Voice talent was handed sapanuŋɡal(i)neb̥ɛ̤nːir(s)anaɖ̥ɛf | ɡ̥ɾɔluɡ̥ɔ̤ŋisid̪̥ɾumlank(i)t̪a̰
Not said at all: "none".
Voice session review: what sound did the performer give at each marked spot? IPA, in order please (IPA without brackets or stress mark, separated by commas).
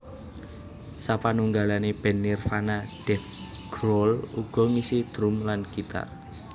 a, f, i